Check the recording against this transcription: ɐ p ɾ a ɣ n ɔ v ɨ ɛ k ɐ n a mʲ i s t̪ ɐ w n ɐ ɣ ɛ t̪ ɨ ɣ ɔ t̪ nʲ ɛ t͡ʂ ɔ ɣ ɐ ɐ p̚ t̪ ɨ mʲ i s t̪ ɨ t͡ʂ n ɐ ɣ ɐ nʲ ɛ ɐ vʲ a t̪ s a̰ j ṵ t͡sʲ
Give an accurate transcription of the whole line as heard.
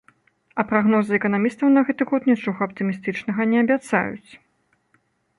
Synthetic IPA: ɐ p ɾ a ɣ n ɔ z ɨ ɛ k ɐ n a mʲ i s t̪ ɐ w n ɐ ɣ ɛ t̪ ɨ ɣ ɔ t̪ nʲ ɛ t͡ʂ ɔ ɣ ɐ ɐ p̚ t̪ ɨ mʲ i s t̪ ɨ t͡ʂ n ɐ ɣ ɐ nʲ ɛ ɐ bʲ a t̪ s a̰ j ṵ t͡sʲ